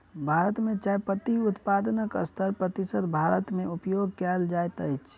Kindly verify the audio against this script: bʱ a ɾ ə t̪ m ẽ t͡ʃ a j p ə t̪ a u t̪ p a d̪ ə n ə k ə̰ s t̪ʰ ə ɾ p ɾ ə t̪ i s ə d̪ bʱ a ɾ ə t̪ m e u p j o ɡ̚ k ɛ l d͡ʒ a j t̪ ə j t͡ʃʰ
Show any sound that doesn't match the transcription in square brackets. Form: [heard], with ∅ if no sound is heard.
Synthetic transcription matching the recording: bʱ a ɾ ə t̪ m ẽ t͡ʃ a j p ə t̪ [i] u t̪ p a d̪ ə n ə k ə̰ s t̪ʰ ə ɾ p ɾ ə t̪ i s ə d̪ bʱ a ɾ ə t̪ m e u p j o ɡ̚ k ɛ l d͡ʒ a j t̪ ə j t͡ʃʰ